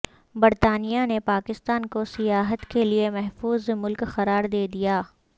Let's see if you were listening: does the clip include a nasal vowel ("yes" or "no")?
no